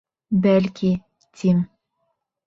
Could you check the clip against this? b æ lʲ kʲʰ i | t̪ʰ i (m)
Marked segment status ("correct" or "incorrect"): correct